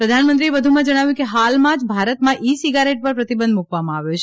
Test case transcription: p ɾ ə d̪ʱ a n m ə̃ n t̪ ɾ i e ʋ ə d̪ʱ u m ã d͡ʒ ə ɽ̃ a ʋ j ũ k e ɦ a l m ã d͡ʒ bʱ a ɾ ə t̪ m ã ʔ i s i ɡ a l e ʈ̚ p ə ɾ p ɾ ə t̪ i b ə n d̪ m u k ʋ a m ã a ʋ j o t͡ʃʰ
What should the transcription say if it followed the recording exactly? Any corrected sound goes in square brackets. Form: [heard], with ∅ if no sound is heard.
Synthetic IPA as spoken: p ɾ ə d̪ʱ a n m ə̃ n t̪ ɾ i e ʋ ə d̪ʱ u m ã d͡ʒ ə ɽ̃ a ʋ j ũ k e ɦ a l m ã d͡ʒ bʱ a ɾ ə t̪ m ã ʔ i s i ɡ a [ɾ] e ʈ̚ p ə ɾ p ɾ ə t̪ i b ə n d̪ m u k ʋ a m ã a ʋ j o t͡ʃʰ